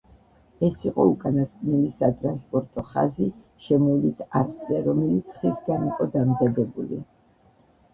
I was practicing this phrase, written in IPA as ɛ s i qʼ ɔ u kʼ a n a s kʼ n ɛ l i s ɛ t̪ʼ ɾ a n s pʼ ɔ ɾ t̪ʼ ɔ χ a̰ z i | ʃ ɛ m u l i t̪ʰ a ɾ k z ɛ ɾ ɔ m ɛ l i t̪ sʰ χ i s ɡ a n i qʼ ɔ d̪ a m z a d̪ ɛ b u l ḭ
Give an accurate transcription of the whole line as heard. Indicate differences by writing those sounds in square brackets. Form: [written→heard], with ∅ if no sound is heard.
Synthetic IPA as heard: ɛ s i qʼ ɔ u kʼ a n a s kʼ n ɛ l i s [ɛ→a] t̪ʼ ɾ a n s pʼ ɔ ɾ t̪ʼ ɔ χ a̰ z i | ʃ ɛ m [u→ɔ] l i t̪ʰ a ɾ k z ɛ ɾ ɔ m ɛ l i t̪ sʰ χ i s ɡ a n i qʼ ɔ d̪ a m z a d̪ ɛ b u l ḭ